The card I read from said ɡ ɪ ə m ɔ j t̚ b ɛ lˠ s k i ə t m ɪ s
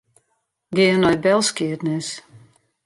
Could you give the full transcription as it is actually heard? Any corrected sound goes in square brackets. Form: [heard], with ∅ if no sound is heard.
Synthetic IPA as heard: ɡ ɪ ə [n] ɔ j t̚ b ɛ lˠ s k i ə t [n] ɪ s